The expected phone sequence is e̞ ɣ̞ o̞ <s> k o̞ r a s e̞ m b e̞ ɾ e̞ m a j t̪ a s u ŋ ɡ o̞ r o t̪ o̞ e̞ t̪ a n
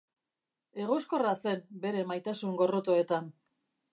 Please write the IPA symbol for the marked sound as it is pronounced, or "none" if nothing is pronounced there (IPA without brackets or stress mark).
s